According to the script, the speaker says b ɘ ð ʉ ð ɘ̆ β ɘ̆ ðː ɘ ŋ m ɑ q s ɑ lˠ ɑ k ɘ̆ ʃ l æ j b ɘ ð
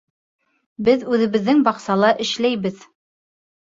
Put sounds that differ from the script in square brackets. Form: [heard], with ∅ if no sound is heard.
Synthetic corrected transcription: b ɘ ð ʉ ð ɘ̆ β ɘ̆ ðː ɘ ŋ [b] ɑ q s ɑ lˠ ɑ [ʔ] ɘ̆ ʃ l æ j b ɘ ð